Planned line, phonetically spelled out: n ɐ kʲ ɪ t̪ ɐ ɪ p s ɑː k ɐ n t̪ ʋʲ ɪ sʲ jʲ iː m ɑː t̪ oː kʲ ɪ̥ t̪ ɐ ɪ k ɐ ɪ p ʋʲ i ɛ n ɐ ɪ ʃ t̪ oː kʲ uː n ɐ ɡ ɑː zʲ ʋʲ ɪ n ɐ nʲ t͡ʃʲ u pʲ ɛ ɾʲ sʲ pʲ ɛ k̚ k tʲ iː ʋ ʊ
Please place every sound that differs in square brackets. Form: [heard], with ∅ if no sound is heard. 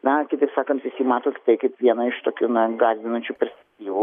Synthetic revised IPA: n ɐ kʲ ɪ t̪ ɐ ɪ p s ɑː k ɐ n t̪ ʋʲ ɪ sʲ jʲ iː m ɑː t̪ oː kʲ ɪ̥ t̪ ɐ ɪ k ɐ ɪ p ʋʲ i ɛ n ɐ ɪ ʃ t̪ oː kʲ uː n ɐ ɡ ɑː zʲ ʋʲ ɪ n ɐ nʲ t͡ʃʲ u pʲ ɛ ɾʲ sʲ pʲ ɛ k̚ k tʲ iː ʋ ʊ